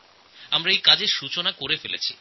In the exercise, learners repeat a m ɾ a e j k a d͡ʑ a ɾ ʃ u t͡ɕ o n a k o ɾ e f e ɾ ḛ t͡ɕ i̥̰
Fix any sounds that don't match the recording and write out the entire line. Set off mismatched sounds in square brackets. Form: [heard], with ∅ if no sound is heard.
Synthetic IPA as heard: a m ɾ a e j k a d͡ʑ [e] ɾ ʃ u t͡ɕ o n a k o ɾ e f e [l] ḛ [t͡ɕʰ] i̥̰